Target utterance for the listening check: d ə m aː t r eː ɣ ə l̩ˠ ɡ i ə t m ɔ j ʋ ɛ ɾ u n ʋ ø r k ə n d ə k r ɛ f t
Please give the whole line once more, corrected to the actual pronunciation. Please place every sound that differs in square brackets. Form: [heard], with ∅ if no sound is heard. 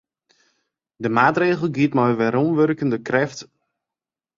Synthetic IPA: d ə m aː t r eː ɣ ə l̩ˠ ɡ i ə t m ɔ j ʋ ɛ ɾ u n ʋ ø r k ə n d ə k r ɛ f t